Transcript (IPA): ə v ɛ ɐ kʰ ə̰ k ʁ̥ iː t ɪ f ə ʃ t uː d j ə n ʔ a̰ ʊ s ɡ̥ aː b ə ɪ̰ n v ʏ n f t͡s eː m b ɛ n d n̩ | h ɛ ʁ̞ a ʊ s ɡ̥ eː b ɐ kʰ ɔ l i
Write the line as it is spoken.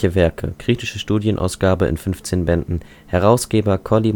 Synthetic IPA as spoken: ə v ɛ ɐ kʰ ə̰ k ʁ̥ iː t ɪ ʃ ə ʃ t uː d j ə n ʔ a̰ ʊ s ɡ̥ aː b ə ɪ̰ n f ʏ n f t͡s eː n b ɛ n d n̩ | h ɛ ʁ̞ a ʊ s ɡ̥ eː b ɐ kʰ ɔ l i